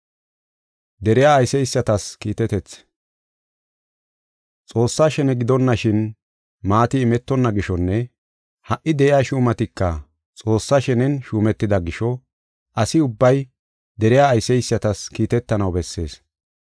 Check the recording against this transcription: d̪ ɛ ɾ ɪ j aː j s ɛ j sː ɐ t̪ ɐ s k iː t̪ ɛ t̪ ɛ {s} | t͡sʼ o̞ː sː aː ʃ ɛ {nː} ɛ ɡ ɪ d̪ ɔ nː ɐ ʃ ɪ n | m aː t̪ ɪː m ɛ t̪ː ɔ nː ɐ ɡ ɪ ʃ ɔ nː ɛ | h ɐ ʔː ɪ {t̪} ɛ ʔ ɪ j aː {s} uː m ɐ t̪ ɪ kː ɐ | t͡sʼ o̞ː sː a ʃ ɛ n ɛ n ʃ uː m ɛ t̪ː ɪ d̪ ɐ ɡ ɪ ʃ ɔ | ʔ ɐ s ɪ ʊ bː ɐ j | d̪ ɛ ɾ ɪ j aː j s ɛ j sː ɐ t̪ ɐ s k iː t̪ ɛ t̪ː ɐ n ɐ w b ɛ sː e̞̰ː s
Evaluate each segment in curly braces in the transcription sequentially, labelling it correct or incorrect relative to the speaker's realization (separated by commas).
incorrect, incorrect, incorrect, incorrect